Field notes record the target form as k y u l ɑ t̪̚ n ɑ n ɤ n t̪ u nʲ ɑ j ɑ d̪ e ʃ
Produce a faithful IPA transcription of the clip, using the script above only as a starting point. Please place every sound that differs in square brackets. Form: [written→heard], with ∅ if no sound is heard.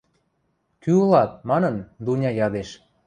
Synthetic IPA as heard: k y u l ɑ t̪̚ [n→m] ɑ n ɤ n [t̪→d̪] u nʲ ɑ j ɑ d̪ e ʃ